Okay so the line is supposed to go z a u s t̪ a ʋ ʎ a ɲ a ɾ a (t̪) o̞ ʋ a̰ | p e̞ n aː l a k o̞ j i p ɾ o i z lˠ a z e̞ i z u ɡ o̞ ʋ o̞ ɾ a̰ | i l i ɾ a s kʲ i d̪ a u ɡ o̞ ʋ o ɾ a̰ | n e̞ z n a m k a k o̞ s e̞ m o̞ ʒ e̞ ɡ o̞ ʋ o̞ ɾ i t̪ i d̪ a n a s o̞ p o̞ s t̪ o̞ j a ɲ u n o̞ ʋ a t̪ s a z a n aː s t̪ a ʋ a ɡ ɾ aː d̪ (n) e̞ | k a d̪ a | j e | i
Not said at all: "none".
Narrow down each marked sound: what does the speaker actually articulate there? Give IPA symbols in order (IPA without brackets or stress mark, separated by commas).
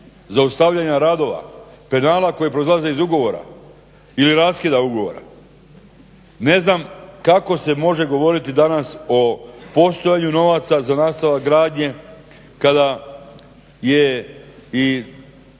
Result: d̪, ɲ